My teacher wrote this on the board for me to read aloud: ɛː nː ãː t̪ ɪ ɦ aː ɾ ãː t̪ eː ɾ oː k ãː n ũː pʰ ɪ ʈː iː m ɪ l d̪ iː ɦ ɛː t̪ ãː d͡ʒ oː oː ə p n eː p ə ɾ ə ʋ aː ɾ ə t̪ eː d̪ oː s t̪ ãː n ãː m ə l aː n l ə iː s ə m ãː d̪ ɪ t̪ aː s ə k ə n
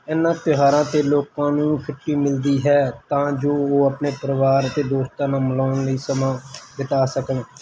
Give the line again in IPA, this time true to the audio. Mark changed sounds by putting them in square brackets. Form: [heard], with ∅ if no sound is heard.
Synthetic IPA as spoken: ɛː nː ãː t̪ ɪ ɦ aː ɾ ãː t̪ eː [l] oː k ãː n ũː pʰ ɪ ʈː iː m ɪ l d̪ iː ɦ ɛː t̪ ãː d͡ʒ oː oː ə p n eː p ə ɾ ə ʋ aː ɾ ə t̪ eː d̪ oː s t̪ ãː n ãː m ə l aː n l ə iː s ə m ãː d̪ ɪ t̪ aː s ə k ə n